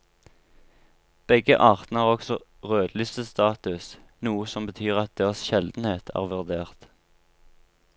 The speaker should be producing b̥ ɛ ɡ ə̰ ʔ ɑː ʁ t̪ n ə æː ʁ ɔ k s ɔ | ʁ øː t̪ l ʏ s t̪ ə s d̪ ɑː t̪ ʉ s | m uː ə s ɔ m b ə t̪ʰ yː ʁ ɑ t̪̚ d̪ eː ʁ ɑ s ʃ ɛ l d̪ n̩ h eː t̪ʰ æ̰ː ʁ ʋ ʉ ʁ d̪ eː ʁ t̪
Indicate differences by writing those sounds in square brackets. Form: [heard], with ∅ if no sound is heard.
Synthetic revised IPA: b̥ ɛ ɡ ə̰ ʔ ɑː ʁ t̪ n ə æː ʁ ɔ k s ɔ | ʁ øː [d̪] l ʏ s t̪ ə s [t̪] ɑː t̪ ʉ s | [n] uː ə s ɔ m b ə t̪ʰ yː ʁ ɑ t̪̚ d̪ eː ʁ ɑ s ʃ ɛ l d̪ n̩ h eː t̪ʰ æ̰ː ʁ ʋ ʉ ʁ d̪ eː ʁ t̪